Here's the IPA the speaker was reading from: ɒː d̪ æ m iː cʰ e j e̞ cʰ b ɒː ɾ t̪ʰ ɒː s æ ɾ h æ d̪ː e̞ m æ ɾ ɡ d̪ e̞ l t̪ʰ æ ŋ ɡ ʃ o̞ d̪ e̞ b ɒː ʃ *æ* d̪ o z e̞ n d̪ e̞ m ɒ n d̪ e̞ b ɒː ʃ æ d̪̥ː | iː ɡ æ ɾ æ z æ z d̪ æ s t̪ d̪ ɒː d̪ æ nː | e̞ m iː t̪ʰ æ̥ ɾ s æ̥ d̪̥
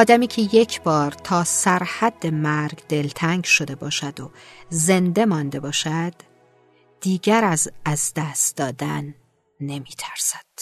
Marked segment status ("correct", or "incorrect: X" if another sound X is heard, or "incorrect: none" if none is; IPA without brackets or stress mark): correct